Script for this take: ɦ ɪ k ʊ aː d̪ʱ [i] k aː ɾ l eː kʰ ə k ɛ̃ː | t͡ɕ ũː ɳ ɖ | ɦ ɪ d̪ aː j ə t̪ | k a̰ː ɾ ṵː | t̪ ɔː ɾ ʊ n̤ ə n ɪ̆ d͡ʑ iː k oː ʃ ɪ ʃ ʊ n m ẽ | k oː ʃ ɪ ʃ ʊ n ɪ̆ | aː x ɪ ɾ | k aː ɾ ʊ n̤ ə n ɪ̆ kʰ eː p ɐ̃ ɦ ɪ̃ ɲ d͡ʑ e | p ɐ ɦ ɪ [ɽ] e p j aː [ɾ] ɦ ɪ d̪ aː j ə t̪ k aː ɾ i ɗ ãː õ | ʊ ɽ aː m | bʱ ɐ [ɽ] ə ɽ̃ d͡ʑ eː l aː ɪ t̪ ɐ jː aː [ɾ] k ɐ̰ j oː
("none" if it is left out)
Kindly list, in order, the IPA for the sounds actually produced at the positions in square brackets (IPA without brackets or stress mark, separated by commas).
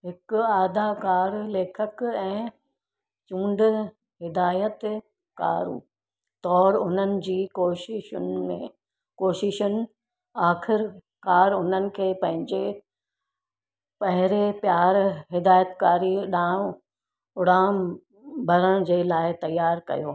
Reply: a, ɾ, ɾ, ɾ, ɾ